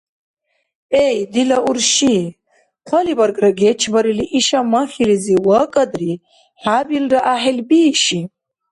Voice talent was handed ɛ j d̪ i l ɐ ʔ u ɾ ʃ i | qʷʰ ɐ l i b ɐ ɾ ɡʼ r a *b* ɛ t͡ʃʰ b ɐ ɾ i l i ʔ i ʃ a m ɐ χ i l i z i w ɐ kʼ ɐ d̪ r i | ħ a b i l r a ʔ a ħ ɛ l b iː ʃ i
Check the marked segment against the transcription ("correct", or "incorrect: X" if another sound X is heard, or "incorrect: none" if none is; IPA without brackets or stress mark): incorrect: ɡ